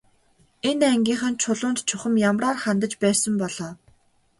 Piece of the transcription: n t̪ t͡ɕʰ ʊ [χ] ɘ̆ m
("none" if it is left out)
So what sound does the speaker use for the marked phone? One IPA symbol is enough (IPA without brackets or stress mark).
χ